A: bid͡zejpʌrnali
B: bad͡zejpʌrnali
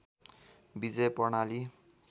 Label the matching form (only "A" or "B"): A